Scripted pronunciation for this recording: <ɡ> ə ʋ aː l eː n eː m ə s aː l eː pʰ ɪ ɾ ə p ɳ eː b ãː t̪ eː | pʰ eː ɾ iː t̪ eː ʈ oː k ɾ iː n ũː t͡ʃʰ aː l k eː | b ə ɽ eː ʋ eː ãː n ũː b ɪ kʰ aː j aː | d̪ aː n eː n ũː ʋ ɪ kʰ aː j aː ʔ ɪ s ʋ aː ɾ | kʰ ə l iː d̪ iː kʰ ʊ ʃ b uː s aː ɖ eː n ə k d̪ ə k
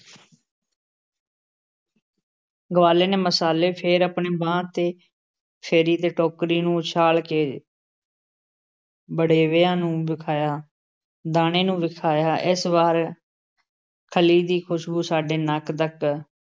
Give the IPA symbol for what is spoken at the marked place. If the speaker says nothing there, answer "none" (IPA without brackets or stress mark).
ɡ